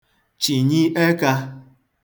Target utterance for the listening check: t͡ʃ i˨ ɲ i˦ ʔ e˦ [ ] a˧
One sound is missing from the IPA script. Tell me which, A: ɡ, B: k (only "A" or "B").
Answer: B